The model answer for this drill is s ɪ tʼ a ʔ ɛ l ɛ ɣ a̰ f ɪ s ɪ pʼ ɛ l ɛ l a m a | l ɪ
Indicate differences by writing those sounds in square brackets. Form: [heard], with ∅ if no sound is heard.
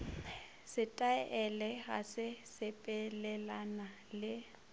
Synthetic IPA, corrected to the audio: s ɪ tʼ a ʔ ɛ l ɛ ɣ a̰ [s] ɪ s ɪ pʼ ɛ l ɛ l a [n] a | l ɪ